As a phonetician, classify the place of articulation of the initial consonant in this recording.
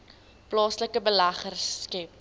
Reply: labial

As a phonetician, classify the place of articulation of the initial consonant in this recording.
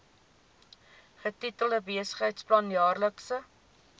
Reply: uvular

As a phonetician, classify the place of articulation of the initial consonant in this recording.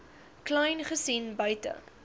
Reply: velar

